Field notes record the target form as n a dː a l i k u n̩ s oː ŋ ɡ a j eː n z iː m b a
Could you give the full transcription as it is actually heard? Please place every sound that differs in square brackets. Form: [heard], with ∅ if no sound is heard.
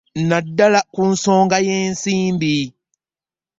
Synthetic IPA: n a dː a l [a] k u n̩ s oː ŋ ɡ a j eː n [s] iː m b [i]

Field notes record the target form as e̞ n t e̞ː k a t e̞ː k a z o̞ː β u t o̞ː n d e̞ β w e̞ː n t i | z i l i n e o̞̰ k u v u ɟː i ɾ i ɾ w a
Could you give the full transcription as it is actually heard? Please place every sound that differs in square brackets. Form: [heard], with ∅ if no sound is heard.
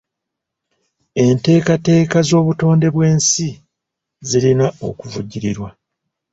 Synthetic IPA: e̞ n t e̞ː k a t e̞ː k a z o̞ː β u t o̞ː n d e̞ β w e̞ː n [s] i | z i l i n [a] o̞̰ k u v u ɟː i ɾ i ɾ w a

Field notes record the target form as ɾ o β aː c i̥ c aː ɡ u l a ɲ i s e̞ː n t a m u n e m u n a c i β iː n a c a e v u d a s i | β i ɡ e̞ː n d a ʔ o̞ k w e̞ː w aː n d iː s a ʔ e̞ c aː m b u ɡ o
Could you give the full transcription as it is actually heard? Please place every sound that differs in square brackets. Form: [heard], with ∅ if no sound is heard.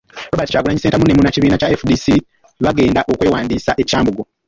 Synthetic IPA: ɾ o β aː [t] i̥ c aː ɡ u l a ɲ i s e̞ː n t a m u n e m u n a c i β iː n a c a e [f] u d [i] s i | β [a] ɡ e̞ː n d a ʔ o̞ k w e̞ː w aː n d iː s a ʔ e̞ c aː m b u ɡ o

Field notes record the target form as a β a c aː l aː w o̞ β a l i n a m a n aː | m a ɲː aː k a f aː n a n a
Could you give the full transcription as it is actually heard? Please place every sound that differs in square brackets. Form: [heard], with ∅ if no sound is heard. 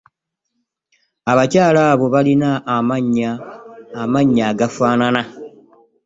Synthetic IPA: a β a c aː l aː [β] o̞ β a l i n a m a [ɲ] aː | m a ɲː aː [ɡ] a f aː n a n a

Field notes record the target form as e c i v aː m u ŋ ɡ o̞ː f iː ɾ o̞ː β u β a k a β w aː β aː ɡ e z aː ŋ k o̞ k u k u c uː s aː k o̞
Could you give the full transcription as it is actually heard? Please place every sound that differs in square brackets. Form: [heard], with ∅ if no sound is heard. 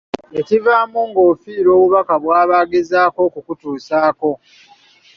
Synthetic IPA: e c i v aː m u ŋ ɡ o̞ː f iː ɾ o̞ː β u β a k a β w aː β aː ɡ e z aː [∅] k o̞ k u k u [t] uː s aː k o̞

